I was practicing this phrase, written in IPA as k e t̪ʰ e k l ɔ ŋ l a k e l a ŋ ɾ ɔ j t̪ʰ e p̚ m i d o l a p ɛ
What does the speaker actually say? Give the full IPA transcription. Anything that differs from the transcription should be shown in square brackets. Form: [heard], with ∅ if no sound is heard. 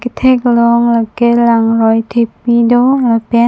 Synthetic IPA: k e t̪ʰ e k l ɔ ŋ l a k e l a ŋ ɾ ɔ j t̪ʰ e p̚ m i d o l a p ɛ